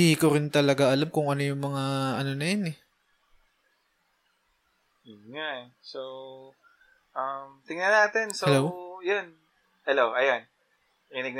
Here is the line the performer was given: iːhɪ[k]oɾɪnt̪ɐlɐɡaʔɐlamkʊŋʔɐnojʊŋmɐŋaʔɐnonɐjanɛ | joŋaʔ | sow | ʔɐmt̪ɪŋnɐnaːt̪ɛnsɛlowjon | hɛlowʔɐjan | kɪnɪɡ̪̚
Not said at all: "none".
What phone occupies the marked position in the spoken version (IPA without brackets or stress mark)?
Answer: k